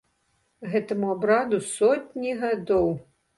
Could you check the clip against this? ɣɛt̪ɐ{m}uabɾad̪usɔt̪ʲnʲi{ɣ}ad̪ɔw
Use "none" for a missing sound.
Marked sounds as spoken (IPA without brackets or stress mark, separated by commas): m, ɣ